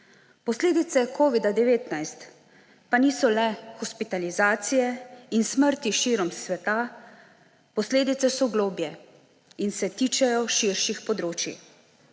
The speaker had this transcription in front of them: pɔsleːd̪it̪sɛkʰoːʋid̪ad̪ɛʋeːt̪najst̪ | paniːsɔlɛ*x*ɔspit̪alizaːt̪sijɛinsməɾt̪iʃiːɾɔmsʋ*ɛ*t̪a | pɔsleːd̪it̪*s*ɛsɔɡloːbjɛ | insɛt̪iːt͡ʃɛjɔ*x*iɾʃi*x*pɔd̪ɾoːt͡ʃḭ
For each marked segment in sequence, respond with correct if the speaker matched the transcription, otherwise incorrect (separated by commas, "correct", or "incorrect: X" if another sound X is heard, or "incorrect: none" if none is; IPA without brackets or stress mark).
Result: correct, correct, correct, incorrect: ʃ, correct